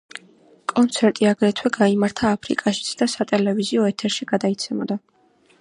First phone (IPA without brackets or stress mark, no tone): kʼ